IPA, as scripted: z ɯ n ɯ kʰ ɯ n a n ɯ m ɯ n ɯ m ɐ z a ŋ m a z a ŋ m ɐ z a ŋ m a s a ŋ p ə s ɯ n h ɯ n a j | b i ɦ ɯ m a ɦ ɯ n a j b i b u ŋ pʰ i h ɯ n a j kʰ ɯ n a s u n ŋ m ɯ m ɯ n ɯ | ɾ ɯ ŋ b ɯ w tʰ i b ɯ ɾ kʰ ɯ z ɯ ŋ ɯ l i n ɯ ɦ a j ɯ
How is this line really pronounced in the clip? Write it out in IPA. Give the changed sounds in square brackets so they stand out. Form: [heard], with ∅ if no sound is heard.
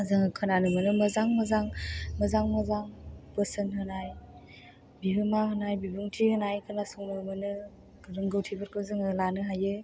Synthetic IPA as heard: z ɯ [ŋ] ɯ kʰ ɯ n a n ɯ m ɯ n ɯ m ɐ z a ŋ m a z a ŋ m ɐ z a ŋ m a [z] a ŋ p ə s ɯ n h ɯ n a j | b i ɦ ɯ m a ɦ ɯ n a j b i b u ŋ [tʰ] i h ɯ n a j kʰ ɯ n a s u [∅] ŋ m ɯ m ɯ n ɯ | ɾ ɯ ŋ [ɡ] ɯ w tʰ i b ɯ ɾ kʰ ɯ z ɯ ŋ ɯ l [a] n ɯ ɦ a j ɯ